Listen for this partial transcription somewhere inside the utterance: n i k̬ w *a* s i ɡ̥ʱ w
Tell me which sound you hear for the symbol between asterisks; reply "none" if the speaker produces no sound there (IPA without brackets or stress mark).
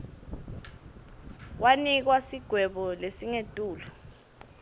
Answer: a